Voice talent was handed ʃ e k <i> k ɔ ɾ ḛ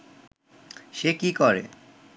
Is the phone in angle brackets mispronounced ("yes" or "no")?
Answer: no